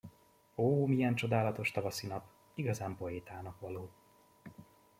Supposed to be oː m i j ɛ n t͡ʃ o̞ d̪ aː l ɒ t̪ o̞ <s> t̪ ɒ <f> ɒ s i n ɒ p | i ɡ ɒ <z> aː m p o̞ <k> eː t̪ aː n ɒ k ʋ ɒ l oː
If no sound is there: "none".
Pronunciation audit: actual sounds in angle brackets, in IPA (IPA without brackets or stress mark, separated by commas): ʃ, v, z, none